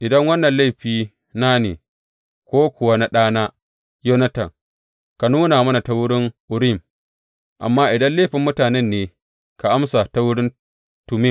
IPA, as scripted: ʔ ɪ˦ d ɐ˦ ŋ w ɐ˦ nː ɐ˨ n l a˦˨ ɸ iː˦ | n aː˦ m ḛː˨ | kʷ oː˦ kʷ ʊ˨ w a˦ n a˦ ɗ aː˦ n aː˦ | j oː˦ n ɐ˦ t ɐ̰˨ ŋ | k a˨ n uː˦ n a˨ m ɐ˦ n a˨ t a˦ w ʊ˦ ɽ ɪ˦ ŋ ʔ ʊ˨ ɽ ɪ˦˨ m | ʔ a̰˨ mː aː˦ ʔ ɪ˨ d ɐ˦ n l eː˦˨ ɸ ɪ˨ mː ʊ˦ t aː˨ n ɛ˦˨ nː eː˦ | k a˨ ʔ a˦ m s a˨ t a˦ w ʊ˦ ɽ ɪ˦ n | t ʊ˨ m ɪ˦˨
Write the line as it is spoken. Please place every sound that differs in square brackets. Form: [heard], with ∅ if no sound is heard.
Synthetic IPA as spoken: ʔ [ɪ˨] d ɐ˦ ŋ w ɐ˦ nː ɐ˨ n l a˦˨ ɸ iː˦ | n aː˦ [n] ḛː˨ | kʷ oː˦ kʷ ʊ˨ w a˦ n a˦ ɗ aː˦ n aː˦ | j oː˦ n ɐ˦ t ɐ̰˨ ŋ | k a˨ n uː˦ n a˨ m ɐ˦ n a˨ t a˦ w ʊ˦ ɽ ɪ˦ ŋ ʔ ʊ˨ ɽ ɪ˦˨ m | ʔ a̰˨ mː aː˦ ʔ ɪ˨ d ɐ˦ n l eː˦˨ ɸ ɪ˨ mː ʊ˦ t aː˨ n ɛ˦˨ nː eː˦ | k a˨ ʔ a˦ m s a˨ t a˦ w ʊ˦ ɽ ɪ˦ n | t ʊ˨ m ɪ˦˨

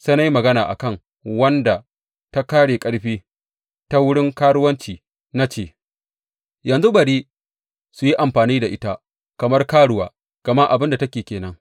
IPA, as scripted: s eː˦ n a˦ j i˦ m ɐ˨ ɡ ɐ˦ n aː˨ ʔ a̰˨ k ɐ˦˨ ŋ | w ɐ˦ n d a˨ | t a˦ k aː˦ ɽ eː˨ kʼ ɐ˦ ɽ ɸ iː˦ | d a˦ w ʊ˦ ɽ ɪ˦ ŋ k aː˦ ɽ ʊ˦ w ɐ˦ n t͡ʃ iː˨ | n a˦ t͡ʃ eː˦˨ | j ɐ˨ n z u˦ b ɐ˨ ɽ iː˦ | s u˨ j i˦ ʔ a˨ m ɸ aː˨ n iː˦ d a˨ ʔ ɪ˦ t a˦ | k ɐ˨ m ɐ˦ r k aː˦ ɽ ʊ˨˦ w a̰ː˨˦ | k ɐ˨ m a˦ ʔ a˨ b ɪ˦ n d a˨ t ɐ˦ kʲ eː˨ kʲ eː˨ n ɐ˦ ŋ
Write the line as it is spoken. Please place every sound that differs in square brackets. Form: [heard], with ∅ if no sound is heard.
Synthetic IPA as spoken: s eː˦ n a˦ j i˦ m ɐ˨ ɡ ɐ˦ n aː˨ ʔ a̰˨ k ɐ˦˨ ŋ | w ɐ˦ n d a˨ | t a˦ k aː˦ ɽ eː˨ kʼ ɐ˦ ɽ ɸ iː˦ | [t] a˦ w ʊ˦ ɽ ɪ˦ ŋ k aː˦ ɽ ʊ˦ w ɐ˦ n t͡ʃ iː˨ | n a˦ t͡ʃ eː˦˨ | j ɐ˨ n z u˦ b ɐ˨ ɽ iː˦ | s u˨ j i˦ ʔ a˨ m ɸ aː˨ n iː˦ d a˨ ʔ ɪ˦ t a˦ | k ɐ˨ m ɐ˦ r k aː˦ ɽ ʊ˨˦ w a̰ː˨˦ | k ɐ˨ m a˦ ʔ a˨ b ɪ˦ n d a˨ t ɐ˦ kʲ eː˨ kʲ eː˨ n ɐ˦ ŋ

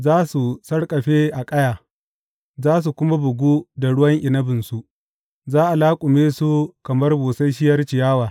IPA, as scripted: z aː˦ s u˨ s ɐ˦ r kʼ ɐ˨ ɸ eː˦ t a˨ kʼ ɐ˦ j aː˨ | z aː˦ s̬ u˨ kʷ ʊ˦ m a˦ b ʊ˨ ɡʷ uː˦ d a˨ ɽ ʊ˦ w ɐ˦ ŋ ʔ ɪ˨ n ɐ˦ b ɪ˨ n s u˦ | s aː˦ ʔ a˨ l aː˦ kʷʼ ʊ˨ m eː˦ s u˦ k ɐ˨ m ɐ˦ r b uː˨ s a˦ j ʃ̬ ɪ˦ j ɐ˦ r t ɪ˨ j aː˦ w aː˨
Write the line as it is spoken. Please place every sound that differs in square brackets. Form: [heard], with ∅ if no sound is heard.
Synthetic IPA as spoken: z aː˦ s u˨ s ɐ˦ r kʼ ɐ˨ ɸ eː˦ [ʔ] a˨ kʼ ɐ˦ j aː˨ | z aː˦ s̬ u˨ kʷ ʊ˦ m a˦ b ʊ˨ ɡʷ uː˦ d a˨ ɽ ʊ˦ w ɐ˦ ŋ ʔ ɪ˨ n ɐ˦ b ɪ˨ n s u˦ | [z] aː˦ ʔ a˨ l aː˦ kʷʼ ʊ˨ m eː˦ s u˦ k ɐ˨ m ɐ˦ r b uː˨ s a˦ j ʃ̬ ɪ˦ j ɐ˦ r [t͡ʃ] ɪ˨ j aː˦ w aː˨

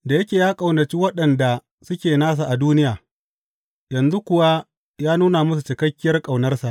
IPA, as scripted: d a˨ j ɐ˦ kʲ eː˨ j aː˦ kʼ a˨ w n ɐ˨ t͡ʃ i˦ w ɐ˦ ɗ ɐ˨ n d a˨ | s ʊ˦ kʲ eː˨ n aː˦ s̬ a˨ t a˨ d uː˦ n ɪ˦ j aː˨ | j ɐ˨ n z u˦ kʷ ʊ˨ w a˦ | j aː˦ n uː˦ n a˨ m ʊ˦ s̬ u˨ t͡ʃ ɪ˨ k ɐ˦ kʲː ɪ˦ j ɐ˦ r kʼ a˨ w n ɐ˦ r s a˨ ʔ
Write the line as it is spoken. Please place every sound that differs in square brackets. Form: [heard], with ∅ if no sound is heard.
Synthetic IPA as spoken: d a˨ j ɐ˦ kʲ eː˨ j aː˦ kʼ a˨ w n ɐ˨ t͡ʃ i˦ w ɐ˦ ɗ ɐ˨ n d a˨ | s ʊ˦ kʲ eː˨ n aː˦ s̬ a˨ [ʔ] a˨ d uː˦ n ɪ˦ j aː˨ | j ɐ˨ n z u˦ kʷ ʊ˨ w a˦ | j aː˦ n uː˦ n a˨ m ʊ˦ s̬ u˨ t͡ʃ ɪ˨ k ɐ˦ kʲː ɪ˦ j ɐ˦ r kʼ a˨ w n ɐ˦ r s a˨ ʔ

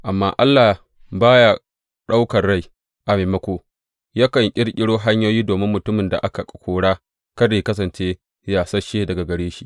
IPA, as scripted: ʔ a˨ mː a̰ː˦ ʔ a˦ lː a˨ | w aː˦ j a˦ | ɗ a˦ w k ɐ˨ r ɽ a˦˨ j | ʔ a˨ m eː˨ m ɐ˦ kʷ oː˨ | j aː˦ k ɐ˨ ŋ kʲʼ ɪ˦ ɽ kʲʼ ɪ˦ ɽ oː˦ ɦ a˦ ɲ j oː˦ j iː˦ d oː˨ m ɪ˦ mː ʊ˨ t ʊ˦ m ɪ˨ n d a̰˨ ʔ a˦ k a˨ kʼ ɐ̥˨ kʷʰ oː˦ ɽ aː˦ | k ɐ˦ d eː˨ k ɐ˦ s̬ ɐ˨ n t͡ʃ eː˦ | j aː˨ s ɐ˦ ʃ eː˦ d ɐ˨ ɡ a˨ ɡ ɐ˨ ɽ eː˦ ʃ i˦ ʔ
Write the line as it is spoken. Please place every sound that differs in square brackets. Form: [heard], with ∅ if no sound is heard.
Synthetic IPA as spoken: ʔ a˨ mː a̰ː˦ ʔ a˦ lː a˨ | [b] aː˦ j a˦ | ɗ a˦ w k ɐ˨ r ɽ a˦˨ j | ʔ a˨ m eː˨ m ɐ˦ kʷ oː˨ | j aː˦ k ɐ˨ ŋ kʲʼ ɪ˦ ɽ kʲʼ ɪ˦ ɽ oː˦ ɦ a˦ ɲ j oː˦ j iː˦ d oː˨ m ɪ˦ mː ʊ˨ t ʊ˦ m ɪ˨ n d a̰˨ ʔ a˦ k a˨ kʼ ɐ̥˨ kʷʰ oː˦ ɽ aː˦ | k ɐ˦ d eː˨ k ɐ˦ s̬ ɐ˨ n t͡ʃ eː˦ | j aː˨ s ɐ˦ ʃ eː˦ d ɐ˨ ɡ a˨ ɡ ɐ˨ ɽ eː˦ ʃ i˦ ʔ

